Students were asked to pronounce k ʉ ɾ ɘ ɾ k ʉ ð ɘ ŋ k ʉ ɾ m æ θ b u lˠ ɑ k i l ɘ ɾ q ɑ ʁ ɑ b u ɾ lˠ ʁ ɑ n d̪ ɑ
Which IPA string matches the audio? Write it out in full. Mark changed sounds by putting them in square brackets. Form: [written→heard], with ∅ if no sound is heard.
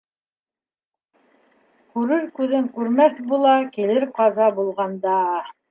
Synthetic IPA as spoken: k ʉ ɾ ɘ ɾ k ʉ ð ɘ ŋ k ʉ ɾ m æ θ b u lˠ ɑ k i l ɘ ɾ q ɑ [ʁ→z] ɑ b u [ɾ→∅] lˠ ʁ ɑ n d̪ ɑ